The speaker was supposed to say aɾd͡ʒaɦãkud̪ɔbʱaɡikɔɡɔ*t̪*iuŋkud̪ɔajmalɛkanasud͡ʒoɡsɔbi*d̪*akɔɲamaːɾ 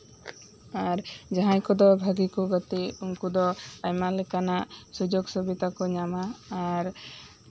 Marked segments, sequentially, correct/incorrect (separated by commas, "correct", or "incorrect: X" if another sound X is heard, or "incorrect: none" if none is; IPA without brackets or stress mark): correct, incorrect: t̪